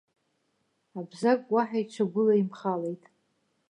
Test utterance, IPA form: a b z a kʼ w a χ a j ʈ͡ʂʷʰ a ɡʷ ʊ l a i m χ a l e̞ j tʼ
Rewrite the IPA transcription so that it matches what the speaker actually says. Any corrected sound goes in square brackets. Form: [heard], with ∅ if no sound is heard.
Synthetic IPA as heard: a b z a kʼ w a [ħ] a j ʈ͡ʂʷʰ a ɡʷ ʊ l a i m χ a l e̞ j tʼ

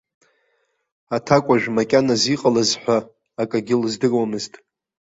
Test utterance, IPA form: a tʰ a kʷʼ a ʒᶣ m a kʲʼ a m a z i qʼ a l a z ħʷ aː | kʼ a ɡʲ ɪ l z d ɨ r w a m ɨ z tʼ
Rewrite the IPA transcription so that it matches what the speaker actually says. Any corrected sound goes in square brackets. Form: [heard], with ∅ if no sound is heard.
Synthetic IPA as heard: a tʰ a kʷʼ a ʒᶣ m a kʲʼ a [n] a z i qʼ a l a z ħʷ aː | kʼ a ɡʲ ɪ l z d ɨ r w a m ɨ z tʼ

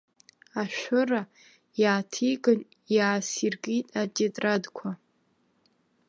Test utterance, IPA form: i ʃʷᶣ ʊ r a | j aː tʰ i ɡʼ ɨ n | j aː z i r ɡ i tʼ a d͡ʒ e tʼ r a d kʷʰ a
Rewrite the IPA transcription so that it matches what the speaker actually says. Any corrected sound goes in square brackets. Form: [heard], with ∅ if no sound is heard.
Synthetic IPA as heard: [a] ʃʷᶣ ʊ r a | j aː tʰ i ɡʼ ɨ n | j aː [s] i r ɡ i tʼ a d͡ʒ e tʼ r a d kʷʰ a

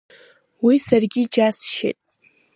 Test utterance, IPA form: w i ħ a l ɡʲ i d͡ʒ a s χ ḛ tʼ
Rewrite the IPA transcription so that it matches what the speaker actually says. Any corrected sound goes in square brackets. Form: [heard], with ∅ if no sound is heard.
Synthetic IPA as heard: w i [s] a [r] ɡʲ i d͡ʒ a s [ʃ] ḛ tʼ

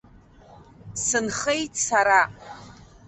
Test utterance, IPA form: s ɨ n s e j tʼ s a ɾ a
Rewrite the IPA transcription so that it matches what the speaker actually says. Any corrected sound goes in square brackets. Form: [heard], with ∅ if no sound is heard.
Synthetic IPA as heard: s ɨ n [χ] e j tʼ s a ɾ a

